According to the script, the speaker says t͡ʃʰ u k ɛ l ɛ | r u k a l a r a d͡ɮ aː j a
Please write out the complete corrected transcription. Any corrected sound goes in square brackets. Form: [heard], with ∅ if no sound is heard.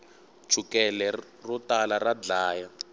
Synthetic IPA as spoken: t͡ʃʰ u k ɛ l ɛ | r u [t] a l a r a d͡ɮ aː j a

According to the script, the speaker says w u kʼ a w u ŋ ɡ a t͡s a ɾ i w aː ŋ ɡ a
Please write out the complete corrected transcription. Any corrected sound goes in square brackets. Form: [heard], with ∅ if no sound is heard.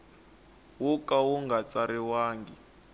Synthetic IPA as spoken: w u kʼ a w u ŋ ɡ a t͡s a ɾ i w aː ŋ ɡ [i]

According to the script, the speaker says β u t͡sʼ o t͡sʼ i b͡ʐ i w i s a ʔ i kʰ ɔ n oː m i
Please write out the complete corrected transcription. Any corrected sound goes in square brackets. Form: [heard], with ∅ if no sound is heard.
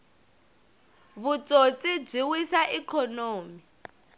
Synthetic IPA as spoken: β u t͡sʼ o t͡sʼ i b͡ʐ i w i s a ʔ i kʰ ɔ n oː m i

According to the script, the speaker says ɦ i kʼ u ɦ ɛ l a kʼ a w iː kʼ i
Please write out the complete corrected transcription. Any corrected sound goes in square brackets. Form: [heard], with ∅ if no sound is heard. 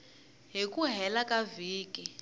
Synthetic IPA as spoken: ɦ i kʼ u ɦ ɛ l a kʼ a [v] iː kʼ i

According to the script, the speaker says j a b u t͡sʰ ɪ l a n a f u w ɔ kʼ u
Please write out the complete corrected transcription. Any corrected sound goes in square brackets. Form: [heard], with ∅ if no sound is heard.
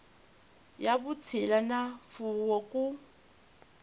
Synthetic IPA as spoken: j a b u t͡sʰ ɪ l a n a f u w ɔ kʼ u

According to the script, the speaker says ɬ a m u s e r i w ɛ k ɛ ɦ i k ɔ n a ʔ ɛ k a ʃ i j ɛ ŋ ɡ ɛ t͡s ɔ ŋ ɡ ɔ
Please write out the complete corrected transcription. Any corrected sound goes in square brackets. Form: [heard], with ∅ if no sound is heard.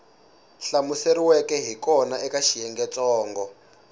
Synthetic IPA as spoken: ɬ a m u s e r i w ɛ k ɛ ɦ i k ɔ n a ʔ ɛ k a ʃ i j ɛ ŋ ɡ ɛ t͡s [ɔː] ŋ ɡ ɔ

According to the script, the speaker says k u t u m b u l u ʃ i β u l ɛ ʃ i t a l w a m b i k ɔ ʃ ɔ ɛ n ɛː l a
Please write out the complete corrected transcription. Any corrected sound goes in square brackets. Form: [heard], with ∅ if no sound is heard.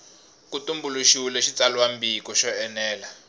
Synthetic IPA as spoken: k u t u m b u l u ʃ i [w] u l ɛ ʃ i [t͡s] a l w a m b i k ɔ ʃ ɔ ɛ n ɛː l a

